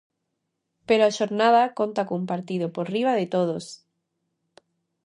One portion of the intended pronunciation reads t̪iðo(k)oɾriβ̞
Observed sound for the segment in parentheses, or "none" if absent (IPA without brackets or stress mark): p